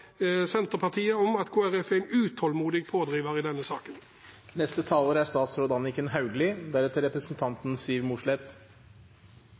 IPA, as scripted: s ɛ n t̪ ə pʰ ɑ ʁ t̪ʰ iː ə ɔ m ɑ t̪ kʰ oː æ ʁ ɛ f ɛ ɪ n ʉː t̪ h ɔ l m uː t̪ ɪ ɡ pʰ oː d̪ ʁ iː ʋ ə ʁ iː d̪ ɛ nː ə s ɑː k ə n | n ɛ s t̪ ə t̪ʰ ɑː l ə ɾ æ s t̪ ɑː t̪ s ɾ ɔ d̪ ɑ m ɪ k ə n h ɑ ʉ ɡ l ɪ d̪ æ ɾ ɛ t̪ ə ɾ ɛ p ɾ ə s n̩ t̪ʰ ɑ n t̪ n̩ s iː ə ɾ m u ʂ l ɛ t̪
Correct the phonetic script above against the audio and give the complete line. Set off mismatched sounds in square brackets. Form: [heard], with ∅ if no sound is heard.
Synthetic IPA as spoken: s ɛ n t̪ ə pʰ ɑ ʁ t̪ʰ iː ə ɔ m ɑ t̪ kʰ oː æ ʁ ɛ f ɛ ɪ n ʉː t̪ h ɔ l m uː [d̪] ɪ ɡ pʰ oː d̪ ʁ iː ʋ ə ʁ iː d̪ ɛ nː ə s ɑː k ə n | n ɛ s t̪ ə t̪ʰ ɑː l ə ɾ æ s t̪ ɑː t̪ s ɾ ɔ d̪ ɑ [n] ɪ k ə n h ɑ ʉ ɡ l ɪ d̪ æ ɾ ɛ t̪ ə ɾ ɛ p ɾ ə s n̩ t̪ʰ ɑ n t̪ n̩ s iː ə ɾ m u ʂ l ɛ t̪